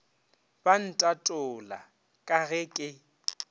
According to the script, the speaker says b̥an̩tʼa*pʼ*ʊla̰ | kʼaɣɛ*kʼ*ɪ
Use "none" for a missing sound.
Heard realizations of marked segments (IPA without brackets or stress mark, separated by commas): tʼ, kʼ